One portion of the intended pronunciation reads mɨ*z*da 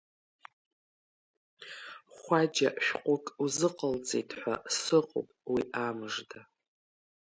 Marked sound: incorrect: ʐ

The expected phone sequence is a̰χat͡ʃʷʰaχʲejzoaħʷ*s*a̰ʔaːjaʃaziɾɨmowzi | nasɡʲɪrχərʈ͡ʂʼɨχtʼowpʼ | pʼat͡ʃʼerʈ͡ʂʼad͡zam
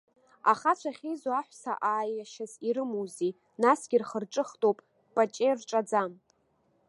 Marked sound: correct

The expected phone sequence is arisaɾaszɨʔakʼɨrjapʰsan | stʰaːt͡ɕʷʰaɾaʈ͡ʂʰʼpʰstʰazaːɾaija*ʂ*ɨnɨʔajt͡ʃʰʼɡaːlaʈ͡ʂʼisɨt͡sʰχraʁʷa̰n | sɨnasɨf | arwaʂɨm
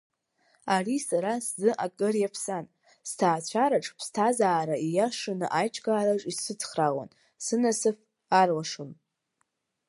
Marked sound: correct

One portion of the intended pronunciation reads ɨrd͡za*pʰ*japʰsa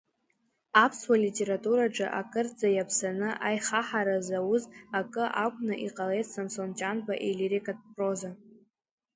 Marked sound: incorrect: none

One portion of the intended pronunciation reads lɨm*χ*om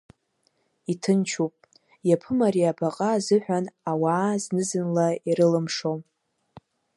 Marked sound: incorrect: ʂ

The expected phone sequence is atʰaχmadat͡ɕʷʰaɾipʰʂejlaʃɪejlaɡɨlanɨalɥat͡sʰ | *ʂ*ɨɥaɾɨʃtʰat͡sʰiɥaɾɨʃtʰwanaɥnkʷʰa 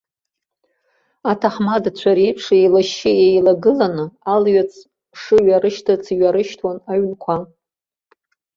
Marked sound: correct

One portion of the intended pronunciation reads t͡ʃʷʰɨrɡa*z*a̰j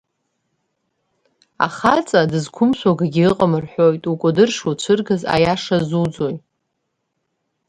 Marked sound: correct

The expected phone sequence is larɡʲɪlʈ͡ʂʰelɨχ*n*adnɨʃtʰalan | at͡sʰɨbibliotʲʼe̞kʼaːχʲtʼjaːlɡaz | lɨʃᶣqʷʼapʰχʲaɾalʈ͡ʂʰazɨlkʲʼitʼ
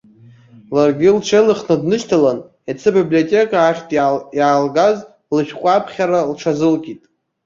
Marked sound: correct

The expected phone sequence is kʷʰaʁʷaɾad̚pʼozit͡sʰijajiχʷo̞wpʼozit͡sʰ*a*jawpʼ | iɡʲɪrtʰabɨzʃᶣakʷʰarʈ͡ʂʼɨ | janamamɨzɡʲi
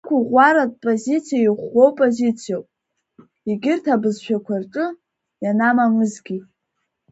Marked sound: incorrect: i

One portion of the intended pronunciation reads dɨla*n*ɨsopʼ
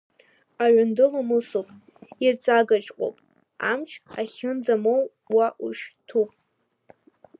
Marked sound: incorrect: m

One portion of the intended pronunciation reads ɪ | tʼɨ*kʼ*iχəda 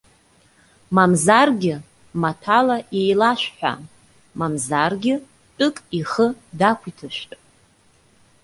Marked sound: correct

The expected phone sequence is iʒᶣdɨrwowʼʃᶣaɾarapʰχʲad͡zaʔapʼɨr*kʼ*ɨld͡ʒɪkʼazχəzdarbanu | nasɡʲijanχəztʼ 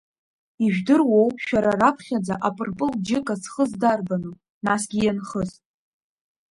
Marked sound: incorrect: pʼ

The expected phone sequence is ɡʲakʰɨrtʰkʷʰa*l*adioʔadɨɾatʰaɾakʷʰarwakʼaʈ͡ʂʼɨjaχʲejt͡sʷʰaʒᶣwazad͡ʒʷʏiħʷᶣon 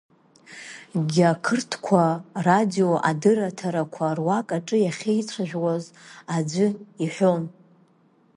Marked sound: incorrect: r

